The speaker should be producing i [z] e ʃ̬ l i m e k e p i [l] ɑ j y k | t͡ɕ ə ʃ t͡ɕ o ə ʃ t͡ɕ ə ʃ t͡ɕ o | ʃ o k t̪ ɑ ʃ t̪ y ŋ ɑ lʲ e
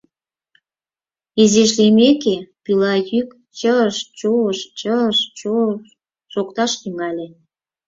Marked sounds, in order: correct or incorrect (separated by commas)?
correct, correct